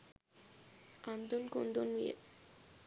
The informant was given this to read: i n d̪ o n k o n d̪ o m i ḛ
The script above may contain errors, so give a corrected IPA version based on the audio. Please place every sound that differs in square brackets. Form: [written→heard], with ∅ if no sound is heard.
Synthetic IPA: [i→a] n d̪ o n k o n d̪ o [m→n] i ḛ